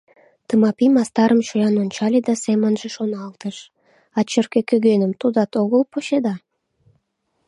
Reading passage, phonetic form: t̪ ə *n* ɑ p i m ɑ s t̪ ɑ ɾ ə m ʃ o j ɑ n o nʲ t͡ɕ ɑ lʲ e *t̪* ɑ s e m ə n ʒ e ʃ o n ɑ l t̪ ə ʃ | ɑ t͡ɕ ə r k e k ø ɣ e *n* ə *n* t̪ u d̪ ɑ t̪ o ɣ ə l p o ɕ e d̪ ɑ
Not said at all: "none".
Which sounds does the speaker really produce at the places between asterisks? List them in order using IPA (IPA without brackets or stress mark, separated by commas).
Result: m, d̪, n, m